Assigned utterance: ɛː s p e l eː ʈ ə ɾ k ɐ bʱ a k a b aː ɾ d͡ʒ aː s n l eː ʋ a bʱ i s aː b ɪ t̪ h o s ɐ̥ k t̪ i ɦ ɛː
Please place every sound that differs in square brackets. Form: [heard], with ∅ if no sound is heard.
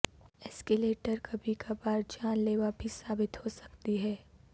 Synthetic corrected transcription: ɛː s [k] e l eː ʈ ə ɾ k ɐ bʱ [i] k a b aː ɾ d͡ʒ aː [∅] n l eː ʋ a bʱ i s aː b ɪ t̪ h o s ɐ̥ k t̪ i ɦ ɛː